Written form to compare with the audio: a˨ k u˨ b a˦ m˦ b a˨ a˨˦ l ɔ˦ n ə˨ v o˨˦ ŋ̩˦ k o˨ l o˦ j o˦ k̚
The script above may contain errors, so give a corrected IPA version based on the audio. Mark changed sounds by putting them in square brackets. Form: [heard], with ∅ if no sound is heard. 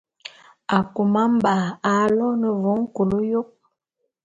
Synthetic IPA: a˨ k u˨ [m] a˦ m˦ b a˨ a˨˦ l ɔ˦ n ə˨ v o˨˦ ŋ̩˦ k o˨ l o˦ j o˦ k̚